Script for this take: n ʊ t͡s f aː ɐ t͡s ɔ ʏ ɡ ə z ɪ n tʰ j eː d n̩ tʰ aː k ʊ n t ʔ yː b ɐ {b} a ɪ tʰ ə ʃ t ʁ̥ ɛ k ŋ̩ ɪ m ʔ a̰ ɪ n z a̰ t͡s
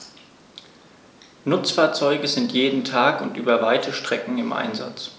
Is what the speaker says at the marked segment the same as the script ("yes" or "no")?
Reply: no